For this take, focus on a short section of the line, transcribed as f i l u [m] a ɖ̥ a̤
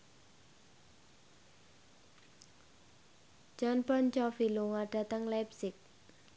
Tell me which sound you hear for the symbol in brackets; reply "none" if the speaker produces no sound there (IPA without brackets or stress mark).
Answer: ŋ